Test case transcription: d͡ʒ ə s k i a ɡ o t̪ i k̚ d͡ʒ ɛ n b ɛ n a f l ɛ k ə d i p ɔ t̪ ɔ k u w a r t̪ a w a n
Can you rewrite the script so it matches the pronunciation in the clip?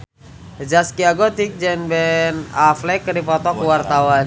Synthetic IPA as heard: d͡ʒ a s k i a ɡ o t̪ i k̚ d͡ʒ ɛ n b ɛ n a f l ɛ k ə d i p ɔ t̪ ɔ k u w a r t̪ a w a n